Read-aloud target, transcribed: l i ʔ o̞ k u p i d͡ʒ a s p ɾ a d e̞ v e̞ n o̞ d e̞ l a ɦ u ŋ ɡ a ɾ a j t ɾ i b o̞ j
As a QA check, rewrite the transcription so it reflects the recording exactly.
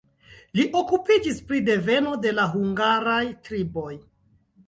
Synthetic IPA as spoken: l i ʔ o̞ k u p i d͡ʒ i s p ɾ i d e̞ v e̞ n o̞ d e̞ l a ɦ u ŋ ɡ a ɾ a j t ɾ i b o̞ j